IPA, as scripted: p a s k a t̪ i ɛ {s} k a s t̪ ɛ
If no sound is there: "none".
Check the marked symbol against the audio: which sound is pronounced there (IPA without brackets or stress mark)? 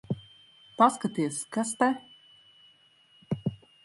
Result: s